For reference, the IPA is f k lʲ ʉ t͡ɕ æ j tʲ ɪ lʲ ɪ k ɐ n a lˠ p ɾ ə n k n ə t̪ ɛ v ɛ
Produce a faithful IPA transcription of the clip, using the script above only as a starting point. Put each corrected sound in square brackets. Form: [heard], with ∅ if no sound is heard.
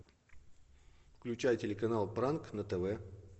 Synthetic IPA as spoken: f k lʲ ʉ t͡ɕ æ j tʲ ɪ lʲ ɪ k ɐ n a lˠ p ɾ [a] n k n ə t̪ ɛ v ɛ